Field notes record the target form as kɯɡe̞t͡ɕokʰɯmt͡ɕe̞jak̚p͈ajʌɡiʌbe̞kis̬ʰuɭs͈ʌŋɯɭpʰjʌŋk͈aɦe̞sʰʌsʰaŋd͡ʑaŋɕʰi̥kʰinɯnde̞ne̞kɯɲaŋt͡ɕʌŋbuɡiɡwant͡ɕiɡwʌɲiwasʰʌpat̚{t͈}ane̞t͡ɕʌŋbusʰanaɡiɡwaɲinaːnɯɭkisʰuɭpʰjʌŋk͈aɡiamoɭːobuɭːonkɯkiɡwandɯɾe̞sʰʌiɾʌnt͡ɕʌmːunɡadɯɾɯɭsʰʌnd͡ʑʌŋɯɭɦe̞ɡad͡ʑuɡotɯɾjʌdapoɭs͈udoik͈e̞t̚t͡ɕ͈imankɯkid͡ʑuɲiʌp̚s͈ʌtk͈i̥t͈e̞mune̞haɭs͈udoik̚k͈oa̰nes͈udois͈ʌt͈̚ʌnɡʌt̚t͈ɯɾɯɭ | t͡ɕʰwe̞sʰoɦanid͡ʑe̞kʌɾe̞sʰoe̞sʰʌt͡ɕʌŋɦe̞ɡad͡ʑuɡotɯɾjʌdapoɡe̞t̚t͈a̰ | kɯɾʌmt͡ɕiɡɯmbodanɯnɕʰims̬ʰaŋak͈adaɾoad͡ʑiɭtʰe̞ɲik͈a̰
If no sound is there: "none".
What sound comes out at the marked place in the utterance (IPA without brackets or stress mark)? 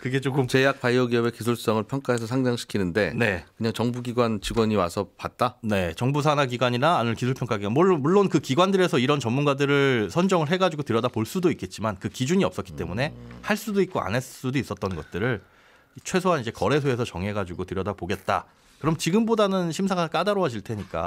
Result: t͈